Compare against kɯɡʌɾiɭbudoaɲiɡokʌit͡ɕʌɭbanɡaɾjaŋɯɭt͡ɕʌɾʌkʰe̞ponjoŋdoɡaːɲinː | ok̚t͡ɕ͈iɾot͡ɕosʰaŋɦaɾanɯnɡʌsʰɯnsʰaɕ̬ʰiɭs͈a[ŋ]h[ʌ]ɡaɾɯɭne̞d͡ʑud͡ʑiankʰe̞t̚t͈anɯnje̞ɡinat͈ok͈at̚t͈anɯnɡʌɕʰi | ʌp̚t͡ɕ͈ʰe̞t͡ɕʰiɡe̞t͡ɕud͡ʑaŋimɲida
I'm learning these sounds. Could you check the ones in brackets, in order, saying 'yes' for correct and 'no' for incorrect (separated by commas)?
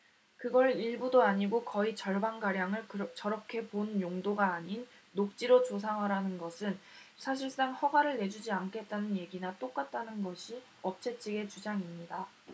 yes, yes